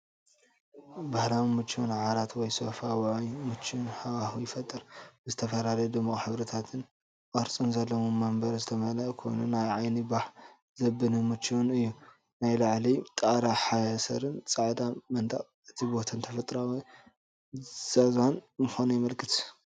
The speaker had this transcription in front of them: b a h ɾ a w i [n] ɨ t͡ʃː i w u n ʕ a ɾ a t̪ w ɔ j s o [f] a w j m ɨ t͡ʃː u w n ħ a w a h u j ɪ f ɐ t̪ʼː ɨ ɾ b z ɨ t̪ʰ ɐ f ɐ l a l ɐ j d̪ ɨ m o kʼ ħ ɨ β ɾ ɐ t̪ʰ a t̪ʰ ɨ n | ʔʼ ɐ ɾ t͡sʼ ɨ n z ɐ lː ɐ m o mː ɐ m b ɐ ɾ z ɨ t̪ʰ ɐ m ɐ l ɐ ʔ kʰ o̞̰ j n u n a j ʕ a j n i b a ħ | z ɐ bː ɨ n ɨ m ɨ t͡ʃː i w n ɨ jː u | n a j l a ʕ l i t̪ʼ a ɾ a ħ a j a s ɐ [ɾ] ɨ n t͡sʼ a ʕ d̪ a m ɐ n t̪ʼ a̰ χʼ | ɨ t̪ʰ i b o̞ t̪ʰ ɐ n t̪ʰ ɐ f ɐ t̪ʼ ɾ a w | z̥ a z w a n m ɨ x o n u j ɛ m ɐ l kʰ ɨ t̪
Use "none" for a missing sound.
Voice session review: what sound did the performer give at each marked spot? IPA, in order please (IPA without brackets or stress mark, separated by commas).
m, f, ɾ